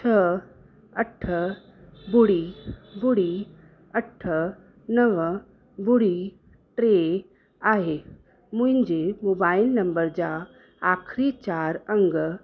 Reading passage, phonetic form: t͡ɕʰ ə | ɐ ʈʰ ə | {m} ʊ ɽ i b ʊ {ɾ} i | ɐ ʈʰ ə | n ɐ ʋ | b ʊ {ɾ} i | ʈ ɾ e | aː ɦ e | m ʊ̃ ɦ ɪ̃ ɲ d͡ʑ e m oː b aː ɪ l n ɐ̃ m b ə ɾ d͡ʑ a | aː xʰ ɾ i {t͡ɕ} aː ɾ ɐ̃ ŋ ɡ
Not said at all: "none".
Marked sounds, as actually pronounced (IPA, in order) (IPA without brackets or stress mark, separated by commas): b, ɽ, ɽ, t͡ɕ